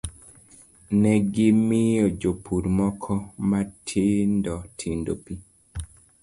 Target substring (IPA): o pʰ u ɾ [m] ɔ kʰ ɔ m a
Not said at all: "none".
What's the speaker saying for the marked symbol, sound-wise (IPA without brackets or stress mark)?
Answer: m